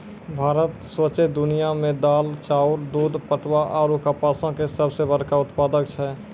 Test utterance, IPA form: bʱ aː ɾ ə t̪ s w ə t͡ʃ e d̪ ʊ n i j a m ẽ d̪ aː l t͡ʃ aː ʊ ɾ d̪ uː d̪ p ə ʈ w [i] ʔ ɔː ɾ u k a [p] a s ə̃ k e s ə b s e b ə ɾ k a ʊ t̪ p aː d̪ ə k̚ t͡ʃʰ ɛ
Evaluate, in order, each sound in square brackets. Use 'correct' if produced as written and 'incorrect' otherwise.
incorrect: a, correct

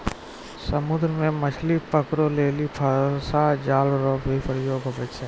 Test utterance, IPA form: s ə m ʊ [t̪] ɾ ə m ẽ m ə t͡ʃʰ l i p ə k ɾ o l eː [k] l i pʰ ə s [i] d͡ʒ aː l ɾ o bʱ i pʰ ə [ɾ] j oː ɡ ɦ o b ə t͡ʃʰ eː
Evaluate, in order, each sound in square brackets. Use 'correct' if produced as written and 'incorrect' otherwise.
incorrect: d̪, incorrect: none, incorrect: a, correct

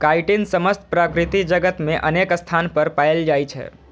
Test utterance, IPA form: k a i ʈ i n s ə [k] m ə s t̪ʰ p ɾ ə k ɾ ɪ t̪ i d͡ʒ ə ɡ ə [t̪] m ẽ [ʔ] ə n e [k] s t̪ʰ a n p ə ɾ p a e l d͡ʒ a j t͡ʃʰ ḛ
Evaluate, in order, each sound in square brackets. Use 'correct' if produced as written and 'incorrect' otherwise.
incorrect: none, correct, correct, correct

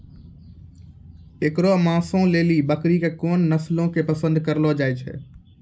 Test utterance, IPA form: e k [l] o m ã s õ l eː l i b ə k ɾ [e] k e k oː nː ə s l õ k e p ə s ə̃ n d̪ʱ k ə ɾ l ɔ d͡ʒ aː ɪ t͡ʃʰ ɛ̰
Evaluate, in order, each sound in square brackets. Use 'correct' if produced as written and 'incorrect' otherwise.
incorrect: ɾ, incorrect: i

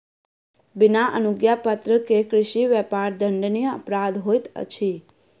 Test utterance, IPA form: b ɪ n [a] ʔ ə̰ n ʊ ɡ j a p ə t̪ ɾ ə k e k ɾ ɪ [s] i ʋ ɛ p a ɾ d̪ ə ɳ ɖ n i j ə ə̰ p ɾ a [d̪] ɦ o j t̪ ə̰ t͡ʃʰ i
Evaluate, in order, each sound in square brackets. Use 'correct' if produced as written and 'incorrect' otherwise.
correct, incorrect: ʃ, correct

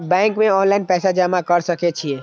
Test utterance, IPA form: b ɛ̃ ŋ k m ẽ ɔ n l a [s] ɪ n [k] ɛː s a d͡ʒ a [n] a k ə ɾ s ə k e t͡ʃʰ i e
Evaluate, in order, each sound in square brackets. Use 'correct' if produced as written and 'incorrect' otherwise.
incorrect: none, incorrect: p, incorrect: m

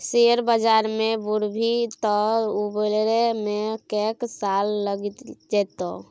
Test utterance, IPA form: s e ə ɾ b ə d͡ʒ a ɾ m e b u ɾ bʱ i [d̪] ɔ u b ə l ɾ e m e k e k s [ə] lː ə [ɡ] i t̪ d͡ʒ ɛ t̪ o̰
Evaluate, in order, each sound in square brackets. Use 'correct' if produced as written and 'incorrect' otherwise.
incorrect: t̪, incorrect: a, correct

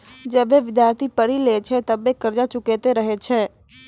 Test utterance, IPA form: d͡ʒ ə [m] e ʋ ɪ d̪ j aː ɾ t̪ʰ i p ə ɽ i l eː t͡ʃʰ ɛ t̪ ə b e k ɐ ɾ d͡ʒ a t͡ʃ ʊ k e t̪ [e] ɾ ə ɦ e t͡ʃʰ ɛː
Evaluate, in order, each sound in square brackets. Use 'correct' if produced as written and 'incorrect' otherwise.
incorrect: b, correct

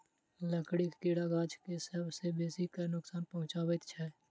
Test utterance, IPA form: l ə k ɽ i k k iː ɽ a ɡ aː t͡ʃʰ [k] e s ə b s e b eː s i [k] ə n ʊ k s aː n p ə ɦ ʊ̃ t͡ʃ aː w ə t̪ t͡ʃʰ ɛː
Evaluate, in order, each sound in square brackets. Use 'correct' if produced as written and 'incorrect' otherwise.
correct, correct

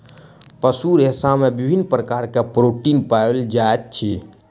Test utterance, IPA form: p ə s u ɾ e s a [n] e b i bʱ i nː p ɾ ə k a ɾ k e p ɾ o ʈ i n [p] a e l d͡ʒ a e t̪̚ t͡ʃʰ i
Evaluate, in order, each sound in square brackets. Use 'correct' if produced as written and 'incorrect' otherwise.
incorrect: m, correct

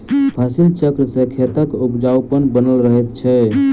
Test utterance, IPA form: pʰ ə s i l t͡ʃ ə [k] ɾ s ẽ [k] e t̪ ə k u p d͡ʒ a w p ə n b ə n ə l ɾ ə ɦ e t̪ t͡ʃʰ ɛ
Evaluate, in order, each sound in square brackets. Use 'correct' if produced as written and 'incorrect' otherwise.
correct, incorrect: kʰ

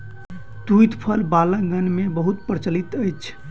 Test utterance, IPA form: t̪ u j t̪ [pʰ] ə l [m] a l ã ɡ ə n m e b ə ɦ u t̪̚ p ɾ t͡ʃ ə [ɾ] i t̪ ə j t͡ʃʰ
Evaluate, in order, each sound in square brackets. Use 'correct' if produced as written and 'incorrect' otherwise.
correct, incorrect: b, incorrect: l

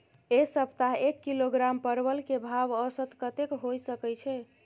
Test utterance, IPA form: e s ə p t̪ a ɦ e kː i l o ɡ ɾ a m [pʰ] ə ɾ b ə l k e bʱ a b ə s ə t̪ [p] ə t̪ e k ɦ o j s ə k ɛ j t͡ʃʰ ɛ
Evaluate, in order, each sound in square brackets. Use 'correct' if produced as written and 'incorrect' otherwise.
incorrect: p, incorrect: k

